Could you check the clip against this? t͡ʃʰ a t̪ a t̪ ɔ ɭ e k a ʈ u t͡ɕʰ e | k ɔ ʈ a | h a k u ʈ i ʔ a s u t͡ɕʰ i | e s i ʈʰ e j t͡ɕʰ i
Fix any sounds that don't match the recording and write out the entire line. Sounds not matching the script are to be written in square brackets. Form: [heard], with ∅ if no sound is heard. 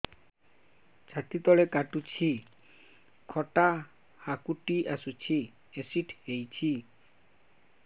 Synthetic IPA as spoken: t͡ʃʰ a t̪ [i] t̪ ɔ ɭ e k a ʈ u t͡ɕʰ [i] | [kʰ] ɔ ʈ a | h a k u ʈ i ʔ a s u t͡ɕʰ i | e s i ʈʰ e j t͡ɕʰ i